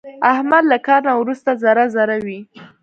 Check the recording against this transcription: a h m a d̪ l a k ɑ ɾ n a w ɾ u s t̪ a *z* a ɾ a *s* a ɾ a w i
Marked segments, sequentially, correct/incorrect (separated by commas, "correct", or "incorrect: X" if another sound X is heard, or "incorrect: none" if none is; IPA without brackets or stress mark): correct, incorrect: z